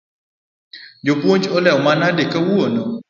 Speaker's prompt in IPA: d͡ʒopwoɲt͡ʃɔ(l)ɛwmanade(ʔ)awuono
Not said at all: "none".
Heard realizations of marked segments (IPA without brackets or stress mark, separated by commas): l, k